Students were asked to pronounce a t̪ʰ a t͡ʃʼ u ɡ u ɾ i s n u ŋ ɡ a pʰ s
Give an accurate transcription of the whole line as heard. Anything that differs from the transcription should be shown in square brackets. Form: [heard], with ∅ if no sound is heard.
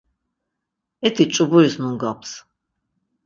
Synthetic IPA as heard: [ɛ] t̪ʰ [i] t͡ʃʼ u [b] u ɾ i s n u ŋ ɡ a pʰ s